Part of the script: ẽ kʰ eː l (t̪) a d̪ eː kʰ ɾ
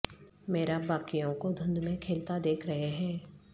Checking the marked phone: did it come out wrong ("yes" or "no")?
no